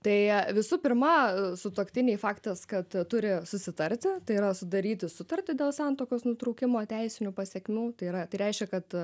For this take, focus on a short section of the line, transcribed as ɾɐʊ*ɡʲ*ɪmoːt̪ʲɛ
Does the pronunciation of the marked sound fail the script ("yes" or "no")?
yes